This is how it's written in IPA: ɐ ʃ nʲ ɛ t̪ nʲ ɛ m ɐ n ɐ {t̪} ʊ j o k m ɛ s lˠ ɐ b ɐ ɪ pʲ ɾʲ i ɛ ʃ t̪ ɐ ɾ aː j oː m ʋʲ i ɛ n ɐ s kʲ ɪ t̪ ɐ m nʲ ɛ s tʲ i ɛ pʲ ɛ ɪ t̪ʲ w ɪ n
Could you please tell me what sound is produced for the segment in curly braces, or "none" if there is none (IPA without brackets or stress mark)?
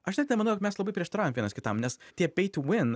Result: none